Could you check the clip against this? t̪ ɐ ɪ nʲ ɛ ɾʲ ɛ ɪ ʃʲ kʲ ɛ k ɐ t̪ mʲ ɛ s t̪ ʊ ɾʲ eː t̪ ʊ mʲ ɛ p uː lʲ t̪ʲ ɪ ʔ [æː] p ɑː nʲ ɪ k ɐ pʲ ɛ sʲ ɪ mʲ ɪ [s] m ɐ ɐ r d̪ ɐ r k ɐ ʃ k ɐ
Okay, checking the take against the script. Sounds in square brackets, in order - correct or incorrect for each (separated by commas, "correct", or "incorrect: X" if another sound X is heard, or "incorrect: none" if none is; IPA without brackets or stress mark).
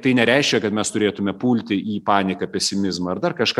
incorrect: iː, incorrect: z